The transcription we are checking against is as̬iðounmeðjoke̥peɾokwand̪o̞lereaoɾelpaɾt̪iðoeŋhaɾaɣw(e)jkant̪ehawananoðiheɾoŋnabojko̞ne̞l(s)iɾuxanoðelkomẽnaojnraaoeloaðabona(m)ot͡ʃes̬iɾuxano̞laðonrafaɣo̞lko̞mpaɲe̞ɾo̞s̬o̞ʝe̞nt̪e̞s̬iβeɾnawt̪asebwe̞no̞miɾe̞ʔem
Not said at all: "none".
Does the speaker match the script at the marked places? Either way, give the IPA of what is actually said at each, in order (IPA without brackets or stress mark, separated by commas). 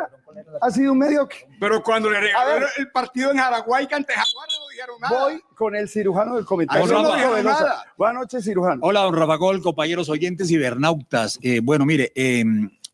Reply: a, s, n